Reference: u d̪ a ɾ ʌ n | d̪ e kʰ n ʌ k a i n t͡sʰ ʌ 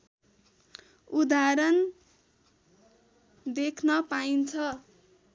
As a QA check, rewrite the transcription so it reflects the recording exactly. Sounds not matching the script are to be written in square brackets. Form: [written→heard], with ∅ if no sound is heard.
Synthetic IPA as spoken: u d̪ a ɾ ʌ n | d̪ e kʰ n ʌ [k→p] a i n t͡sʰ ʌ